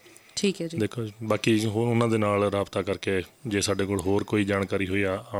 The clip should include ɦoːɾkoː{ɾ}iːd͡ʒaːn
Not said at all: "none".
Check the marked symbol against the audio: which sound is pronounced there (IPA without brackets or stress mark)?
none